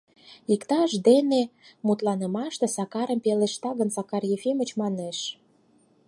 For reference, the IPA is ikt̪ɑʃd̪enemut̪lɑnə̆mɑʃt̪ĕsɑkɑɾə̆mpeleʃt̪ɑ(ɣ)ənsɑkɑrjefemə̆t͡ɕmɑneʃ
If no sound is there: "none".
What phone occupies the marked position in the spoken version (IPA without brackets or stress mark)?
ɣ